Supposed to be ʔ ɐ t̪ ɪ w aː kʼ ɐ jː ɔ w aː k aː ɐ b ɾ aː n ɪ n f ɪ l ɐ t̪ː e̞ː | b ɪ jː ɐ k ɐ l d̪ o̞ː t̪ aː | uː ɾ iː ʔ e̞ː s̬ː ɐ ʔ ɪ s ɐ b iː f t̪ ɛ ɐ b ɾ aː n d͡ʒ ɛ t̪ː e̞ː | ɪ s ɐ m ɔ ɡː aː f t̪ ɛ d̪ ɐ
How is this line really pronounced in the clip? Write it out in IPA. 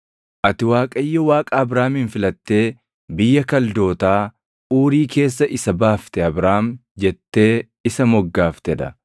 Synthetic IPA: ʔ ɐ t̪ ɪ w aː kʼ ɐ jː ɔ w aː kʼ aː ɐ b ɾ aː m ɪ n f ɪ l ɐ t̪ː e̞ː | b ɪ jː ɐ k ɐ l d̪ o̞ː t̪ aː | uː ɾ iː k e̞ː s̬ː ɐ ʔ ɪ s ɐ b aː f t̪ ɛ ɐ b ɾ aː m d͡ʒ ɛ t̪ː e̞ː | ɪ s ɐ m ɔ ɡː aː f t̪ ɛ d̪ ɐ